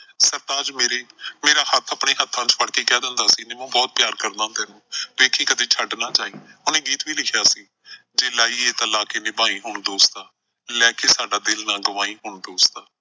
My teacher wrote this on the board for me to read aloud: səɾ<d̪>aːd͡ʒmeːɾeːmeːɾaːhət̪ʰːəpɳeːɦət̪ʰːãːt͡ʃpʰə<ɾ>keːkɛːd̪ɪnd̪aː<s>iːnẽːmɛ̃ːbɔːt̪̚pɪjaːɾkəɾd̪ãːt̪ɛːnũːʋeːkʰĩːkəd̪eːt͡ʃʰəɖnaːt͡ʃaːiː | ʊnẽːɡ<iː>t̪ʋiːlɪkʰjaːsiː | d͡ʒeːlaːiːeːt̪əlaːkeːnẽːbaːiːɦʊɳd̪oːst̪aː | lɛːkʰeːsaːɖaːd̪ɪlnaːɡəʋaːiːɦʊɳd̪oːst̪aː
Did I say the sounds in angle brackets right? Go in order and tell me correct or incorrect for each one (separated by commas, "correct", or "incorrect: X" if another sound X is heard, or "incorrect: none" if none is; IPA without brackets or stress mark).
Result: incorrect: t̪, incorrect: ɽ, correct, correct